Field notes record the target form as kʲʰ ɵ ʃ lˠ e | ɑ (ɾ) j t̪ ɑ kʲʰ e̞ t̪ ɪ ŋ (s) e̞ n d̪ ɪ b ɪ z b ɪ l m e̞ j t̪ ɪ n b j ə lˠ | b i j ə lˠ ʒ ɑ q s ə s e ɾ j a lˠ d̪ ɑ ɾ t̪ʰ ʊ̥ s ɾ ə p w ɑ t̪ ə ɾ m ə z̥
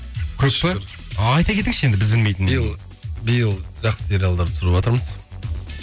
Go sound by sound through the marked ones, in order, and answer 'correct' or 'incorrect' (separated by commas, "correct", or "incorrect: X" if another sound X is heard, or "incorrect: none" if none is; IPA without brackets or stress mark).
incorrect: none, incorrect: ʃ